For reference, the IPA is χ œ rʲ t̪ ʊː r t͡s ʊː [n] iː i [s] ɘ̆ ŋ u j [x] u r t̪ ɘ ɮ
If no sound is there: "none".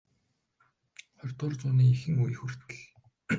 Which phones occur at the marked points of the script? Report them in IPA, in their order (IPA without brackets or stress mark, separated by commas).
n, x, x